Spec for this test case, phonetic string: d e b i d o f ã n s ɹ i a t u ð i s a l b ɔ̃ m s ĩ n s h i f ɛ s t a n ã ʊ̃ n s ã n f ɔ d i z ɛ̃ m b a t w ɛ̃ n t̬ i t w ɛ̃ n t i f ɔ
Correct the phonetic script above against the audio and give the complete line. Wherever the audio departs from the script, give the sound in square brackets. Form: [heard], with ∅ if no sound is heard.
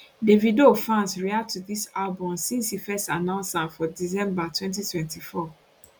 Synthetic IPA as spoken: d e [v] i d o f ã n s ɹ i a t u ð i s a l b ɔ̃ m s ĩ n s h i f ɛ s t a n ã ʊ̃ n s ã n f ɔ d i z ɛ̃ m b a t w ɛ̃ n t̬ i t w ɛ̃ n t i f ɔ